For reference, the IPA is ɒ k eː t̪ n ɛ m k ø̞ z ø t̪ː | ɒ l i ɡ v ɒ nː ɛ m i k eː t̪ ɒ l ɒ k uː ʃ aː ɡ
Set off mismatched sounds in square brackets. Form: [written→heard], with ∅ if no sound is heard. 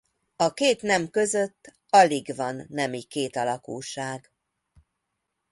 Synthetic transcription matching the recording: ɒ k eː t̪ n ɛ m k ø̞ z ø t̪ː | ɒ l i ɡ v ɒ nː ɛ m i k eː t̪ ɒ l ɒ k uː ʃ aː ɡ